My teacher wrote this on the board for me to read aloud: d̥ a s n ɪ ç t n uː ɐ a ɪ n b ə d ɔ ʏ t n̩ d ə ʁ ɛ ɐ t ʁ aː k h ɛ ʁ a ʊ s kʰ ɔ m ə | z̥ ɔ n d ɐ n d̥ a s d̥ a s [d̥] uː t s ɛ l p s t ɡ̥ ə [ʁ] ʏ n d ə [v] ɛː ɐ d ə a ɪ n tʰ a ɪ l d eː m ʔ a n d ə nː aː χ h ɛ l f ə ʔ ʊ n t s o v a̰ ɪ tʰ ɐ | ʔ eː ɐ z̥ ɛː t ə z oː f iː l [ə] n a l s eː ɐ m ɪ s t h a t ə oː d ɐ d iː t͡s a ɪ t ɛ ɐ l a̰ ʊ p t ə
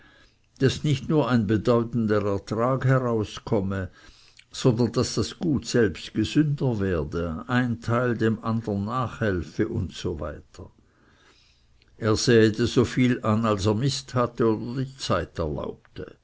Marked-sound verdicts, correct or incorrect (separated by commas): incorrect, incorrect, correct, incorrect